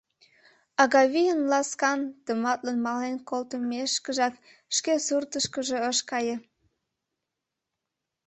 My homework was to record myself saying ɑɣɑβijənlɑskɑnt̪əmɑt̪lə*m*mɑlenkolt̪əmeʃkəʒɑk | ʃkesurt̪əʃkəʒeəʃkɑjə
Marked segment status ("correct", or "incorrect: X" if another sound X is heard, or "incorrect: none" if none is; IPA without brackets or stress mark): incorrect: n